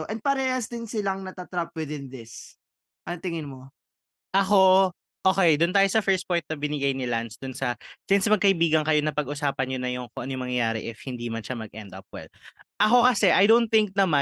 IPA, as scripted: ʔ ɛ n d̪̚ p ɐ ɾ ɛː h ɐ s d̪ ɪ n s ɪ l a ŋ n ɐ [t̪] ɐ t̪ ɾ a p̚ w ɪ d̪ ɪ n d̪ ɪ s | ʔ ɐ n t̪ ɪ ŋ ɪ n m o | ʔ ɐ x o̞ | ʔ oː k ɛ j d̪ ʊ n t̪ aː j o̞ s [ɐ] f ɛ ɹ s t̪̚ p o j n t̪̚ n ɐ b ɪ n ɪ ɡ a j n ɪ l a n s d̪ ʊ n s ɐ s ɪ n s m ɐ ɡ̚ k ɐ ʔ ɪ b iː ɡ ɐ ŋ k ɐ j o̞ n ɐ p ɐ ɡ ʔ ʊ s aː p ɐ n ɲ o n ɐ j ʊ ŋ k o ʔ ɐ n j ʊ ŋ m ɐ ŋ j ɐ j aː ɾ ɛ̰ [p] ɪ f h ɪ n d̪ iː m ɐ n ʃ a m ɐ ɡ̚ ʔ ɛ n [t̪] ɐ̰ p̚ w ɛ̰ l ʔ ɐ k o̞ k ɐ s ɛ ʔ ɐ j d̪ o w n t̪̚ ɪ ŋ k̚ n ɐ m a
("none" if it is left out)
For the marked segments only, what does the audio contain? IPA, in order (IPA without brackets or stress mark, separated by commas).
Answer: t̪, ɐ, ʔ, d̪